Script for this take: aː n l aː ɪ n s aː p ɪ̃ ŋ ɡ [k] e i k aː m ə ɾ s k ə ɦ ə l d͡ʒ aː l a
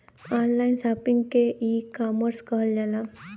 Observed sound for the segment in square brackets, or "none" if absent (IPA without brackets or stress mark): k